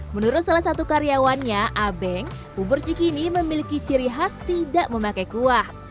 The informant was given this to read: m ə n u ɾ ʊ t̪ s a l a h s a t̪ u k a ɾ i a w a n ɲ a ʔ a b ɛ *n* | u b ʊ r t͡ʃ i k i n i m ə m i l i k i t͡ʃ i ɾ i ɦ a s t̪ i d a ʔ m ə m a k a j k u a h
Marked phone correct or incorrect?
incorrect: ŋ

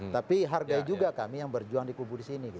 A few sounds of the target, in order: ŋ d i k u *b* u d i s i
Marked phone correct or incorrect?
correct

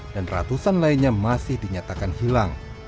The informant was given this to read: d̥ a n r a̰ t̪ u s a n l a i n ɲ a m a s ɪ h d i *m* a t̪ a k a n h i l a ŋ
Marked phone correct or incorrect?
incorrect: ɲ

